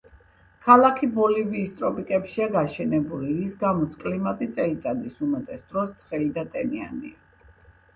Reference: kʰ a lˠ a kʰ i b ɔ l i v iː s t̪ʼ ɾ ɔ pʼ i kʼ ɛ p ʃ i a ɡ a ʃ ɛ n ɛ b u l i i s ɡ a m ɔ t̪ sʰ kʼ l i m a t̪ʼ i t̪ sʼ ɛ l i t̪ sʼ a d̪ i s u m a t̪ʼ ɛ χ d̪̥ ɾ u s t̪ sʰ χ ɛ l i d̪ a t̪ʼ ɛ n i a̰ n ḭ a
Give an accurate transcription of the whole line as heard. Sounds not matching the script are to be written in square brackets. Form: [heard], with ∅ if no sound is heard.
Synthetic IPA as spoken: kʰ a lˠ a kʰ i b ɔ l i v iː s t̪ʼ ɾ ɔ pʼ i kʼ ɛ p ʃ i a ɡ a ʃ ɛ n ɛ b u l i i s ɡ a m ɔ t̪ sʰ kʼ l i m a t̪ʼ i t̪ sʼ ɛ l i t̪ sʼ a d̪ i s u m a t̪ʼ ɛ [s] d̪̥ ɾ [ɔ] s t̪ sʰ χ ɛ l i d̪ a t̪ʼ ɛ n i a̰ n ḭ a

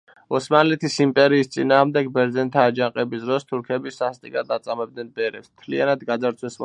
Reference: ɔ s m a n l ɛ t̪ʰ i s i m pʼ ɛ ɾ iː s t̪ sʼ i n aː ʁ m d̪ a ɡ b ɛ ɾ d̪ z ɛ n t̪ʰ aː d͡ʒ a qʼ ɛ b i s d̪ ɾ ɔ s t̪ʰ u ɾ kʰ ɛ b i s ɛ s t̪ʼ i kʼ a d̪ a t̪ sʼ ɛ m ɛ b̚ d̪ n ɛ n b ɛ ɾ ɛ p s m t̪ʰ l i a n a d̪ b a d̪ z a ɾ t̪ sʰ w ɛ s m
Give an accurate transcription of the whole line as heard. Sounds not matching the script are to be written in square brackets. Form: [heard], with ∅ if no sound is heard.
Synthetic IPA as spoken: ɔ s m a n l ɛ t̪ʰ i s i m pʼ ɛ ɾ iː s t̪ sʼ i n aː ʁ m d̪ [ɛ] ɡ b ɛ ɾ d̪ z ɛ n t̪ʰ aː d͡ʒ a qʼ ɛ b i s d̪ ɾ ɔ s t̪ʰ u ɾ kʰ ɛ b i s [a] s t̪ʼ i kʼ a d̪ a t̪ sʼ [a] m ɛ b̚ d̪ n ɛ n b ɛ ɾ ɛ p s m t̪ʰ l i a n a d̪ [ɡ] a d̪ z a ɾ t̪ sʰ w ɛ s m

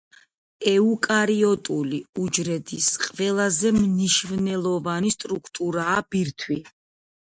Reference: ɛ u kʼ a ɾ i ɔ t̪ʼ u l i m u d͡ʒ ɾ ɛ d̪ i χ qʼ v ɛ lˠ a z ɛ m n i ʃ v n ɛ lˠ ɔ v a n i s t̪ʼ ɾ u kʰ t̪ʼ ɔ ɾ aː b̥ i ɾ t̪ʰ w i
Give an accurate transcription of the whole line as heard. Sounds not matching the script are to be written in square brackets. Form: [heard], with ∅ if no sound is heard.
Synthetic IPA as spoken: ɛ u kʼ a ɾ i ɔ t̪ʼ u l i [∅] u d͡ʒ ɾ ɛ d̪ i [s] qʼ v ɛ lˠ a z ɛ m n i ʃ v n ɛ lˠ ɔ v a n i s t̪ʼ ɾ u kʰ t̪ʼ [u] ɾ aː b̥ i ɾ t̪ʰ w i

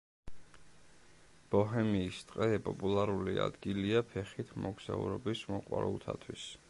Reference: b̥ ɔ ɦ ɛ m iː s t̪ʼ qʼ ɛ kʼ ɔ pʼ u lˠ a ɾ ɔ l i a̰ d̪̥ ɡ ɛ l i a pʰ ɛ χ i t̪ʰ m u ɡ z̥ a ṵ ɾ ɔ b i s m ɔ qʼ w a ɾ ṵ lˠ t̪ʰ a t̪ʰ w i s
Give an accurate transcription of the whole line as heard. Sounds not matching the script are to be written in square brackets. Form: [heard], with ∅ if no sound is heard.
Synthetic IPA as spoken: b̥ ɔ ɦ ɛ m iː s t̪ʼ qʼ ɛ [pʼ] ɔ pʼ u lˠ a ɾ [u] l i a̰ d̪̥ ɡ [i] l i a pʰ ɛ χ i t̪ʰ m [ɔ] ɡ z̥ a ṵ ɾ ɔ b i s m ɔ qʼ w a ɾ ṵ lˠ t̪ʰ a t̪ʰ w i s

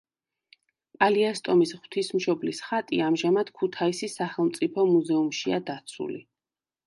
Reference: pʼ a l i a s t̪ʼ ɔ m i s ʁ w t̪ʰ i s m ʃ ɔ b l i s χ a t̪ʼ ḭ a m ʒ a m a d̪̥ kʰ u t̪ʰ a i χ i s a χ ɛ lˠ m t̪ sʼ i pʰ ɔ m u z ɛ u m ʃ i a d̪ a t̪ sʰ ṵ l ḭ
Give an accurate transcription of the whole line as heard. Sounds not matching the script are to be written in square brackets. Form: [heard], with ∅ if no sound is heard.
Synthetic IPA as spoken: pʼ a l i a s t̪ʼ ɔ m i s ʁ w t̪ʰ i s m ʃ ɔ b l i s χ a t̪ʼ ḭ a m ʒ a m a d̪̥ kʰ u t̪ʰ a i [s] i s a χ ɛ lˠ m t̪ sʼ i pʰ ɔ m u z ɛ u m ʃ i a d̪ a t̪ sʰ ṵ l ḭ

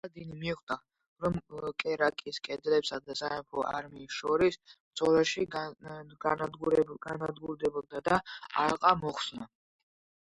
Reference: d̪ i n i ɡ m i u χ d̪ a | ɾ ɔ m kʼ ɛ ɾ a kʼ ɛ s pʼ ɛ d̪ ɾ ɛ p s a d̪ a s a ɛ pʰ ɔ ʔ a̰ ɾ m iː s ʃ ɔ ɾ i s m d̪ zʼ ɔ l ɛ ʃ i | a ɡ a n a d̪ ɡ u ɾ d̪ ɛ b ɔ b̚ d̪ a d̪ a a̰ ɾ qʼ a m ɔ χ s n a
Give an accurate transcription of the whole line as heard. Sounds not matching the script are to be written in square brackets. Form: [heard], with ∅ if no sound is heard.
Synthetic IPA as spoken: d̪ i n i [∅] m i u χ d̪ a | ɾ ɔ m kʼ ɛ ɾ a kʼ [i] s [kʼ] ɛ d̪ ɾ ɛ p s a d̪ a s a ɛ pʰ ɔ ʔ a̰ ɾ m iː s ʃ ɔ ɾ i s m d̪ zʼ ɔ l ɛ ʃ i | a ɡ a n a d̪ ɡ u ɾ d̪ ɛ b ɔ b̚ d̪ a d̪ a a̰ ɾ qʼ a m ɔ χ s n a

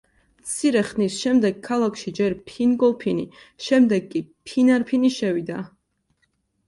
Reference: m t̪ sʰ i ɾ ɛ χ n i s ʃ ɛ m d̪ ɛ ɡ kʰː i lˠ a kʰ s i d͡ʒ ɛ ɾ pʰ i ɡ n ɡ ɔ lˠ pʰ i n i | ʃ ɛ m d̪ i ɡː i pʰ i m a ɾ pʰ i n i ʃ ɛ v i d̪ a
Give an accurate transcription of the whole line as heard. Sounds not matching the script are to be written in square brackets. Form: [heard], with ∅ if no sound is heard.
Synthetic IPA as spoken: m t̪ sʰ i ɾ ɛ χ n i s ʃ ɛ m d̪ ɛ ɡ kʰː [a] lˠ a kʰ [ʃ] i d͡ʒ ɛ ɾ pʰ i [∅] n ɡ ɔ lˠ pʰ i n i | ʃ ɛ m d̪ [ɛ] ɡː i pʰ i [n] a ɾ pʰ i n i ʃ ɛ v i d̪ a

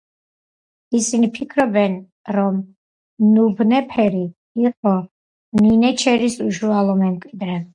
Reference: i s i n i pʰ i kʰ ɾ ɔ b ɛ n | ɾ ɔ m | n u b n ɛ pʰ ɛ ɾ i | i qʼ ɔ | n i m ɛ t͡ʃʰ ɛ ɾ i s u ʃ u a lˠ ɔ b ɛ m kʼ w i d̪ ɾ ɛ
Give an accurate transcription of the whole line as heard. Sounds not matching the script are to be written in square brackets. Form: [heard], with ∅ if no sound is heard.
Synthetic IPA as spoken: i s i n i pʰ i kʰ ɾ ɔ b ɛ n | ɾ ɔ m | n u b n ɛ pʰ ɛ ɾ i | i qʼ ɔ | n i [n] ɛ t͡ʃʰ ɛ ɾ i s u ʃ u a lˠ ɔ [m] ɛ m kʼ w i d̪ ɾ ɛ

